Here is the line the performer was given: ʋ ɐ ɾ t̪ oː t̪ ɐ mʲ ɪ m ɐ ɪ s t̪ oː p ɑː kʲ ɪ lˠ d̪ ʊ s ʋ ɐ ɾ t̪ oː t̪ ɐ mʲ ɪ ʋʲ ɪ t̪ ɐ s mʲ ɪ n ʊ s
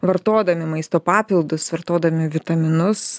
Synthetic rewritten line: ʋ ɐ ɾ t̪ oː d̪ ɐ mʲ ɪ m ɐ ɪ s t̪ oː p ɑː pʲ ɪ lˠ d̪ ʊ s ʋ ɐ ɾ t̪ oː d̪ ɐ mʲ ɪ ʋʲ ɪ t̪ ɐ mʲ ɪ n ʊ s